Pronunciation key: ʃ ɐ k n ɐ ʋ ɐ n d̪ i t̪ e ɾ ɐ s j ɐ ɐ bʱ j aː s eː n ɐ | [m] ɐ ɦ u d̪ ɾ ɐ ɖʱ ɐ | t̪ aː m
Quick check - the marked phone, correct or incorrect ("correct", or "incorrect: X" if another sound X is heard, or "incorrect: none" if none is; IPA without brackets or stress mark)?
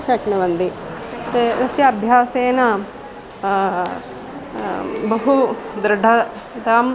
incorrect: b